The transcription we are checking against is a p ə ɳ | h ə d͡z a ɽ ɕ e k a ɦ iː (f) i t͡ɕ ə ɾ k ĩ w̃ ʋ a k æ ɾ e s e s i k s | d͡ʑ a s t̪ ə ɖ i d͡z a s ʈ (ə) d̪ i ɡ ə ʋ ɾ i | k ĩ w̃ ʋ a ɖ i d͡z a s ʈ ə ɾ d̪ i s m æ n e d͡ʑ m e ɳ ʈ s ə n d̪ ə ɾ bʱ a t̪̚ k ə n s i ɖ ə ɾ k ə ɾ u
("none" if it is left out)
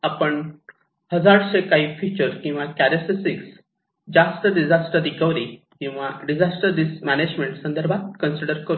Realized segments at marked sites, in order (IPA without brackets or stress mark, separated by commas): f, ə